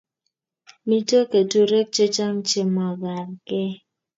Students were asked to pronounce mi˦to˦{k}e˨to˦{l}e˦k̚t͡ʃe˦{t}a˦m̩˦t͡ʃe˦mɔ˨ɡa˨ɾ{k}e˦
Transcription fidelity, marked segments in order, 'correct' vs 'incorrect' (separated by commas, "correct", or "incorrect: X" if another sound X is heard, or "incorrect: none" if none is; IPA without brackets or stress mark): correct, incorrect: ɾ, incorrect: t͡ʃ, correct